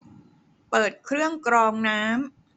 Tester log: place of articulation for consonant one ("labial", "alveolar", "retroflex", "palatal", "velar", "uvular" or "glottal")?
labial